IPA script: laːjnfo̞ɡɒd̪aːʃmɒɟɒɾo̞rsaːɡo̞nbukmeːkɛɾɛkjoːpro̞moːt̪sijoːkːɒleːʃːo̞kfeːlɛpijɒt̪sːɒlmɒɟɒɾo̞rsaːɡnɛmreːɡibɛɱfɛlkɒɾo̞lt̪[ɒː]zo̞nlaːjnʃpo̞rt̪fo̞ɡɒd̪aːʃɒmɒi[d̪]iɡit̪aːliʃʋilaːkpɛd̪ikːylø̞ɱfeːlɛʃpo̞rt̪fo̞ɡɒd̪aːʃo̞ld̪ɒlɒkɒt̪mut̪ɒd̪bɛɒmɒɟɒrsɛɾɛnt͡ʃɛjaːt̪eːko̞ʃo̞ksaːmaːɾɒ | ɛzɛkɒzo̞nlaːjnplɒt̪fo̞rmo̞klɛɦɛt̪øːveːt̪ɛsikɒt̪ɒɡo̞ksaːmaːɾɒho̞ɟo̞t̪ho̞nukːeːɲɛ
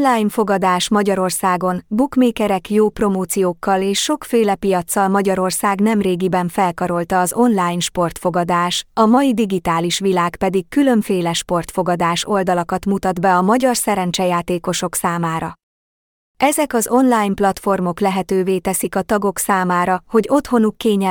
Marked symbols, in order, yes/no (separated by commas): yes, yes